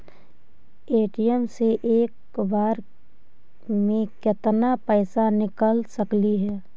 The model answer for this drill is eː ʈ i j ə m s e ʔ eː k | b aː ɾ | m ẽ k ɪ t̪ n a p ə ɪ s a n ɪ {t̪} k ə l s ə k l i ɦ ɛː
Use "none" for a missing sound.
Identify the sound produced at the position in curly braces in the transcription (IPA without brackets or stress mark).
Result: none